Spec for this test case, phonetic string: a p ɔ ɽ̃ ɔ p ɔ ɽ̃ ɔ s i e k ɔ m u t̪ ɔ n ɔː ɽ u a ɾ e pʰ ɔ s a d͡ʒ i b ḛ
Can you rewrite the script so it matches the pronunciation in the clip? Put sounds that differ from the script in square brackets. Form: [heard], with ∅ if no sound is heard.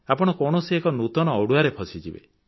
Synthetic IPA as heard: a p ɔ ɽ̃ ɔ [k] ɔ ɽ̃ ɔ s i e k ɔ [n] u t̪ ɔ n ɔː ɽ u a ɾ e pʰ ɔ s [i] d͡ʒ i b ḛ